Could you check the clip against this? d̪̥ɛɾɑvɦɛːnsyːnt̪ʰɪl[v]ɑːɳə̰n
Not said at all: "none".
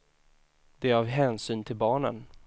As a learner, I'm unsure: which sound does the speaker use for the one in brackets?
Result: b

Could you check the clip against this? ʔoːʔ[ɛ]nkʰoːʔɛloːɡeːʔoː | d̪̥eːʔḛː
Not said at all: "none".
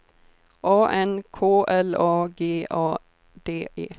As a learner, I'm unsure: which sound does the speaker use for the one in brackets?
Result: ɛ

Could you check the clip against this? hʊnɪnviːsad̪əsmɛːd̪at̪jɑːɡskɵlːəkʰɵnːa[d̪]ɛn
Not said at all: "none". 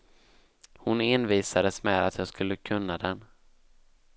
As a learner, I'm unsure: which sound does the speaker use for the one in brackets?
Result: d̪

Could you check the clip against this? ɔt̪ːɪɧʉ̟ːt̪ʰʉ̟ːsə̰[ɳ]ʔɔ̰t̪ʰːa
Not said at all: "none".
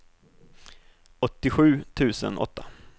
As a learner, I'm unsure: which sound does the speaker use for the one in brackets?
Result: n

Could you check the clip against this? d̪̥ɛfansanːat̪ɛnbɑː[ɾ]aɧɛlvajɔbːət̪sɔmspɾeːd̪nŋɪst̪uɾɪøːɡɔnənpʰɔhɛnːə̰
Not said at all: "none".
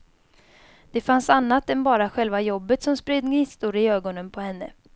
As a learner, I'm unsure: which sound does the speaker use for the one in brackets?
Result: ɾ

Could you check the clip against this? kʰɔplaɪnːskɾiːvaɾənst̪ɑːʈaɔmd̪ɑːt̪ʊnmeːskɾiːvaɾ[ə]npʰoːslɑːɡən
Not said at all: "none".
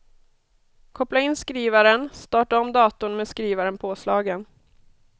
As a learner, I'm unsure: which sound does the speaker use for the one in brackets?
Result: ə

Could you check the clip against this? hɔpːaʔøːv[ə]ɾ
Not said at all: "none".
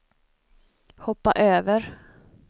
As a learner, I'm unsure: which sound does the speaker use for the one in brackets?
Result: ə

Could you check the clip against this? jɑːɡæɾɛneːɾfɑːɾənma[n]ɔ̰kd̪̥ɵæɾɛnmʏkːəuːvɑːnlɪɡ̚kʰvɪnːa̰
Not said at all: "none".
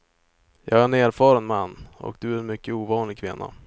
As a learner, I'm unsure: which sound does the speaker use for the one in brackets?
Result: nː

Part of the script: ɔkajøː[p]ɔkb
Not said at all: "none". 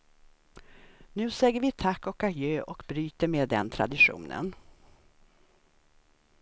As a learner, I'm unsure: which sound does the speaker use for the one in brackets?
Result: ʔ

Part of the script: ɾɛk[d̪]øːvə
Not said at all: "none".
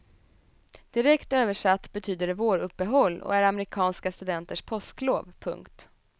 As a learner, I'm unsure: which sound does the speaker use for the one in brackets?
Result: t̪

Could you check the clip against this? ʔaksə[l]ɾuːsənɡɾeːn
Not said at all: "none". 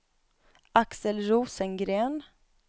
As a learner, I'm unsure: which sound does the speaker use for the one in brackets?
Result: l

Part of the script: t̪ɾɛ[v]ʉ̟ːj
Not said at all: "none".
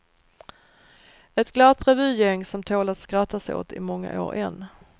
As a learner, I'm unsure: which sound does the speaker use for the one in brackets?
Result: v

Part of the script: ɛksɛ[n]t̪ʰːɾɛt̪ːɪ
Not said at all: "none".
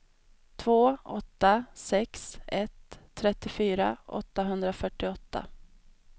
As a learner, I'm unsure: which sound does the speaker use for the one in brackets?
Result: none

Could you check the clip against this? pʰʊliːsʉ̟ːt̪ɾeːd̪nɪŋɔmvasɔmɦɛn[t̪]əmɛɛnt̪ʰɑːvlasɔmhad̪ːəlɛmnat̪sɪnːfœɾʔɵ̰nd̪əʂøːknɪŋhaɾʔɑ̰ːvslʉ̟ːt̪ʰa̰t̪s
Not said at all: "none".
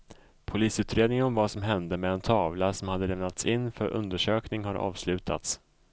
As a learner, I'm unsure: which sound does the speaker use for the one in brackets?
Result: d̪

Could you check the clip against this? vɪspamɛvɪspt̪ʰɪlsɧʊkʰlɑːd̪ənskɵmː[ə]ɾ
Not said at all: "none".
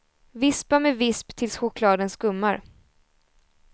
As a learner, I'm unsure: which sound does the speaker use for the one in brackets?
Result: a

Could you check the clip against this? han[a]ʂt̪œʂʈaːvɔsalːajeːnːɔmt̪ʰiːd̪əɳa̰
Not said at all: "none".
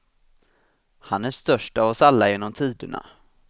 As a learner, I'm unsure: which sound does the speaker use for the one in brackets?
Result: æ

